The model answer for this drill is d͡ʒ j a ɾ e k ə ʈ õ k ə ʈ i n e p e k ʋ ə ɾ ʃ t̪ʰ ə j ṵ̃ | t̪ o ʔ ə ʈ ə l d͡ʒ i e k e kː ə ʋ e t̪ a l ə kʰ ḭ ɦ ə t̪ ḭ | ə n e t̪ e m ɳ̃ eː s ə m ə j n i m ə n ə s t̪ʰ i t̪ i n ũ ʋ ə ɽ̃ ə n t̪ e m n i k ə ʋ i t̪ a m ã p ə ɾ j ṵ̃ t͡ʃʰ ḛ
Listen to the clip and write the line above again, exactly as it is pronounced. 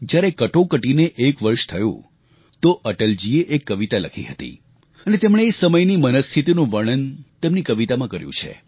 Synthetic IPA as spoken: d͡ʒ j a ɾ e k ə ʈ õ k ə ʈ i n e ʔ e k ʋ ə ɾ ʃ t̪ʰ ə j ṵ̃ | t̪ o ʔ ə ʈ ə l d͡ʒ i e ʔ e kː ə ʋ i t̪ a l ə kʰ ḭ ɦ ə t̪ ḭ | ə n e t̪ e m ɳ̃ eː s ə m ə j n i m ə n ə s t̪ʰ i t̪ i n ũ ʋ ə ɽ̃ ə n t̪ e m n i k ə ʋ i t̪ a m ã k ə ɾ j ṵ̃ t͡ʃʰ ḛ